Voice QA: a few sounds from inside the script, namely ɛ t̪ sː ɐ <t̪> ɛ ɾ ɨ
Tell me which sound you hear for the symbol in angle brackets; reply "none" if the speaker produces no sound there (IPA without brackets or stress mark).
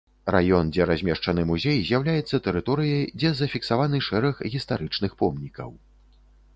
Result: t̪